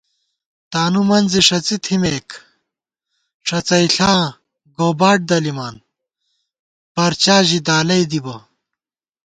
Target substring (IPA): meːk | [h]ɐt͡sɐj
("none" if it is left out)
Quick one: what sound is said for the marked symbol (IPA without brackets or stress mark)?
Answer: ʂ